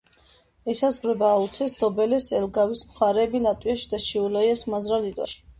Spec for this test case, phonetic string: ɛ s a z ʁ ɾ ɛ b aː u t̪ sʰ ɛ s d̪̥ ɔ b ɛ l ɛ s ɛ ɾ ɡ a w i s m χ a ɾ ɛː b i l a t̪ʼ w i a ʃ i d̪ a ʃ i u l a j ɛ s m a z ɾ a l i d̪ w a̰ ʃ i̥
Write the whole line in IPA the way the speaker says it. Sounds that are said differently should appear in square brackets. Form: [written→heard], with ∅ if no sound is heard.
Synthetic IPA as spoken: ɛ s a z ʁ ɾ ɛ b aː u t̪ sʰ ɛ s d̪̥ ɔ b ɛ l ɛ s ɛ [ɾ→l] ɡ a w i s m χ a ɾ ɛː b i l a t̪ʼ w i a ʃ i d̪ a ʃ i u l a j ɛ s m a z ɾ a l i d̪ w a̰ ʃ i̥

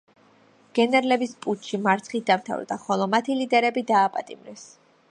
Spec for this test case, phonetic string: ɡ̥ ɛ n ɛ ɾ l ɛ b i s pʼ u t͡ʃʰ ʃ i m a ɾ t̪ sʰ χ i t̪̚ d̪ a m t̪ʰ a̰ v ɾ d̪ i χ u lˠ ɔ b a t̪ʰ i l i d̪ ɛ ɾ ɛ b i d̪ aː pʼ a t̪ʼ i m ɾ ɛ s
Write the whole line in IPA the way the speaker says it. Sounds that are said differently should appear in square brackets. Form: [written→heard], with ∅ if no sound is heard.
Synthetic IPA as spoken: ɡ̥ ɛ n ɛ ɾ l ɛ b i s pʼ u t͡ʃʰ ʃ i m a ɾ t̪ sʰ χ i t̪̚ d̪ a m t̪ʰ a̰ v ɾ d̪ [i→a] χ [u→ɔ] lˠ ɔ [b→m] a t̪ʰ i l i d̪ ɛ ɾ ɛ b i d̪ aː pʼ a t̪ʼ i m ɾ ɛ s

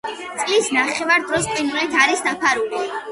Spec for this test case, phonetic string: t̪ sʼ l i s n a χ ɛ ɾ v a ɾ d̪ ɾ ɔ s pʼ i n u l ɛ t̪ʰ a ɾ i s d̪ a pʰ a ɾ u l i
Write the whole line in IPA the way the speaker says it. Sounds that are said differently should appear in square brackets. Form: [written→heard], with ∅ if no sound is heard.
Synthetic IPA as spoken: t̪ sʼ l i s n a χ ɛ [ɾ→∅] v a ɾ d̪ ɾ ɔ s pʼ i n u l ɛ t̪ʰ a ɾ i s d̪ a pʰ a ɾ u l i

